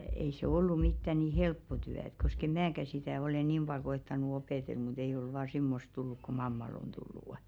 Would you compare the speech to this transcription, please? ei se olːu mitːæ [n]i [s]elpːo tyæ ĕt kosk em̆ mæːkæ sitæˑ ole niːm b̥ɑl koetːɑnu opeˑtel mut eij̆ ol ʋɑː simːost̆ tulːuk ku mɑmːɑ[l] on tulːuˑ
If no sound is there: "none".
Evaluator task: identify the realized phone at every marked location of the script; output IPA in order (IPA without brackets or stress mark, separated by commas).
n, h, l